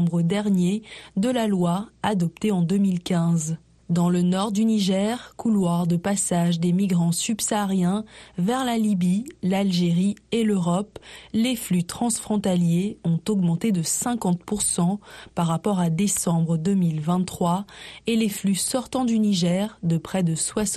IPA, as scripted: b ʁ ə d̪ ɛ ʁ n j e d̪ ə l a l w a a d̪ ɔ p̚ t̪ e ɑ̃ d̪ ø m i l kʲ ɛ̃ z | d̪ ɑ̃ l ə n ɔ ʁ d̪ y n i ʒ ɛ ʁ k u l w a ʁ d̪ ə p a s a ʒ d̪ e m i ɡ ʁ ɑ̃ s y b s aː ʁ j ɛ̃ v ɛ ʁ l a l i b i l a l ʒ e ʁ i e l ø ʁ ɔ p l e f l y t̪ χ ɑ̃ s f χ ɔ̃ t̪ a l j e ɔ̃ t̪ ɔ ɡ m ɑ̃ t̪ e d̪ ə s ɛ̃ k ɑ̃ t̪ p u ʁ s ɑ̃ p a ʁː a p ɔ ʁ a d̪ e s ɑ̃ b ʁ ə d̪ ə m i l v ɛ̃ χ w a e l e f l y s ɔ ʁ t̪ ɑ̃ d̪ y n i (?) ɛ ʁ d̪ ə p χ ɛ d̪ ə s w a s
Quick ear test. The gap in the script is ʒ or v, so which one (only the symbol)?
ʒ